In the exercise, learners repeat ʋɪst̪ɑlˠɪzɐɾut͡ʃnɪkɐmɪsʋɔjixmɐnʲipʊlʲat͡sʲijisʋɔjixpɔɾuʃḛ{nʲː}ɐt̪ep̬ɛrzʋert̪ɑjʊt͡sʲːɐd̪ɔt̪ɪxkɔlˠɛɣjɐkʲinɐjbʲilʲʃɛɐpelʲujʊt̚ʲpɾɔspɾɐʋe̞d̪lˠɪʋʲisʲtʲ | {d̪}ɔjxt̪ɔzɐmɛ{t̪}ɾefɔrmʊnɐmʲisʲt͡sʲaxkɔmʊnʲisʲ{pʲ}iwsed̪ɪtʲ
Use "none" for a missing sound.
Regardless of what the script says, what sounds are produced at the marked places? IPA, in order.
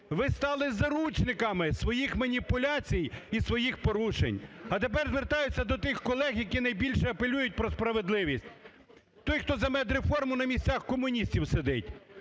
nʲ, t̪, d̪, tʲ

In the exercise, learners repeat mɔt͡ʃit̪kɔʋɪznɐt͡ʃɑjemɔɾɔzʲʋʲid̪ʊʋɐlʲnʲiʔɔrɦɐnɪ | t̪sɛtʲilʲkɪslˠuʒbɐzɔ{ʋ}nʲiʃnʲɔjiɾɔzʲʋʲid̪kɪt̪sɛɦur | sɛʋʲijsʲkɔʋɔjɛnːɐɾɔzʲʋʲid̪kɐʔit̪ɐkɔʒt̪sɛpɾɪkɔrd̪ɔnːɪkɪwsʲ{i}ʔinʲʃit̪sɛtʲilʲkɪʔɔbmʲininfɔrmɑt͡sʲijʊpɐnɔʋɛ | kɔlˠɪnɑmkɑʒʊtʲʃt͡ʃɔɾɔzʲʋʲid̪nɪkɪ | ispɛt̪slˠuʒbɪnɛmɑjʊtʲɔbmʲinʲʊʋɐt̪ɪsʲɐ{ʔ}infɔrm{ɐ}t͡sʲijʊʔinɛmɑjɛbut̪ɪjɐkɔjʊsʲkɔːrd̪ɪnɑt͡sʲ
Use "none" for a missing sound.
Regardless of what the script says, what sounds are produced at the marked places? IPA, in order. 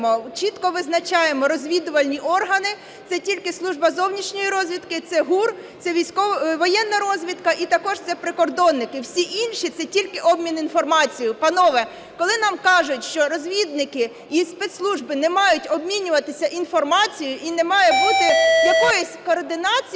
w, i, ʔ, ɑ

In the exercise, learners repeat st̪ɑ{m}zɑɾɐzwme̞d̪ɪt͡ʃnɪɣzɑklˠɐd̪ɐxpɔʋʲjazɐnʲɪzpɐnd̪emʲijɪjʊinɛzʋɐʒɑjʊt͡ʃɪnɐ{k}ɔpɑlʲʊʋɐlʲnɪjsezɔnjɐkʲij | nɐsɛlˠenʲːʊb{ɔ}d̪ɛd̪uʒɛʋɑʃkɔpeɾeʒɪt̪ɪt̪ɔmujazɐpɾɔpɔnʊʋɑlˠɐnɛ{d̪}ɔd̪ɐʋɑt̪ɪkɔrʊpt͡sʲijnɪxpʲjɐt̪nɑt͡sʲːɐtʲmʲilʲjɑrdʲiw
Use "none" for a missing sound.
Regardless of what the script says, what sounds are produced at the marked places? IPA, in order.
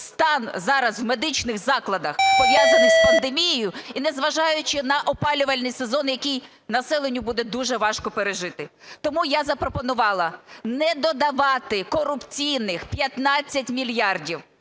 n, ʔ, u, d̪

